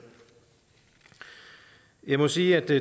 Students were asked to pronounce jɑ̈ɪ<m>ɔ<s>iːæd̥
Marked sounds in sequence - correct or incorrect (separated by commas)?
correct, correct